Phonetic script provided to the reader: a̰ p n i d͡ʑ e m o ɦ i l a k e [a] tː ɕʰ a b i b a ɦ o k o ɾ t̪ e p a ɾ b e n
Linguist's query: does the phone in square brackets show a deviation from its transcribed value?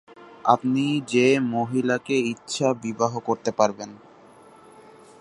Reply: yes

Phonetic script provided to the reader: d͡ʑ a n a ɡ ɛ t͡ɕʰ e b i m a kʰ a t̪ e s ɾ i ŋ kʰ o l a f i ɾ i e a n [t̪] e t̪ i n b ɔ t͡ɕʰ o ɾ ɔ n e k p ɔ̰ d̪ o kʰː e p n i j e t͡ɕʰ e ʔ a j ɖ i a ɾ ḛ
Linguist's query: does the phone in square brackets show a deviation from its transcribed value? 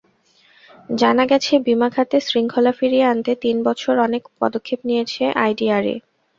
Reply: no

